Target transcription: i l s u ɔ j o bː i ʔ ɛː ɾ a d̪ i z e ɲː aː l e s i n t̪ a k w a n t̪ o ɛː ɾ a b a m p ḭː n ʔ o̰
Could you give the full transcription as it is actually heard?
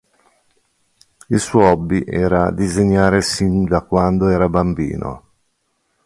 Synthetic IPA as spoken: i l s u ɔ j ɔ bː i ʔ ɛː ɾ a d̪ i z e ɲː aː ɾ e s i n d̪ a k w a n d̪ o ɛː ɾ a b a m b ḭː n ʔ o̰